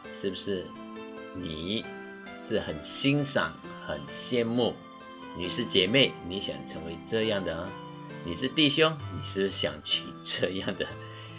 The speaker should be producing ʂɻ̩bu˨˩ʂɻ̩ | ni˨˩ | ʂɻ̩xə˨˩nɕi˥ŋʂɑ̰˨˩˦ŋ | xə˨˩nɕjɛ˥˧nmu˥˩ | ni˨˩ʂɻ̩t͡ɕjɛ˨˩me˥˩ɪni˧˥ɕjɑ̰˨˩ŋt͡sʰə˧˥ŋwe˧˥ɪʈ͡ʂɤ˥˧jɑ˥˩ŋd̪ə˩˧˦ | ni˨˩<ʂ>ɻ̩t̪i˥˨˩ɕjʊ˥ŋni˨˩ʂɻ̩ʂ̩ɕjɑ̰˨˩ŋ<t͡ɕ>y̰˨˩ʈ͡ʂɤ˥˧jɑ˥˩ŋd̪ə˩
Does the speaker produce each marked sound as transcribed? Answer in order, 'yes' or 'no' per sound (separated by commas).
yes, no